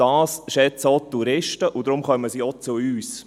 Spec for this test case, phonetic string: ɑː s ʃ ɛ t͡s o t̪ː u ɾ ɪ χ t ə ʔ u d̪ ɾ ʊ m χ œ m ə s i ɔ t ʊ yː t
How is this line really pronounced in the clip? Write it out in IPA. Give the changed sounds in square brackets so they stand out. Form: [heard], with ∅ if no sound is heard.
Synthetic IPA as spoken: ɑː s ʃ ɛ t͡s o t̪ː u ɾ ɪ [ʃ] t ə ʔ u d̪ ɾ ʊ m χ œ m ə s i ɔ [t͡s] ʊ yː [s]